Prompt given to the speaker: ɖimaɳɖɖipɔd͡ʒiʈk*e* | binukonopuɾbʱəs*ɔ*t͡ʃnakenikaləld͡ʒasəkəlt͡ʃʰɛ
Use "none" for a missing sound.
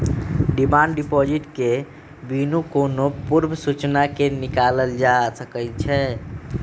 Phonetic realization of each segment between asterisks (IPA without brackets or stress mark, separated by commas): e, u